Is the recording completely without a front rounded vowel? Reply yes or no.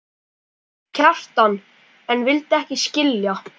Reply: yes